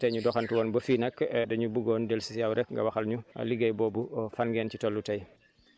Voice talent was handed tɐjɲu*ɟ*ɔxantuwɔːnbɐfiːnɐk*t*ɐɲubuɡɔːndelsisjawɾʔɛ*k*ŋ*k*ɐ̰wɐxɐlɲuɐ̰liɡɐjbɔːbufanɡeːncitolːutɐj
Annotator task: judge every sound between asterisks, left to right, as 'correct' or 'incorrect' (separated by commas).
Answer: incorrect, incorrect, correct, incorrect